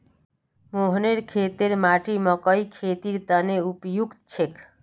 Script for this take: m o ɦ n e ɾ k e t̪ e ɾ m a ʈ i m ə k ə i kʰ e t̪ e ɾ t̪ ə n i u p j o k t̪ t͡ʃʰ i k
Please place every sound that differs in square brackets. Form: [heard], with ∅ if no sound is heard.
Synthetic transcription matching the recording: m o ɦ n e ɾ [kʰ] e t̪ e ɾ m a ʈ i m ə k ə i kʰ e t̪ [i] ɾ t̪ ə n [e] u p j [u] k t̪ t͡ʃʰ [e] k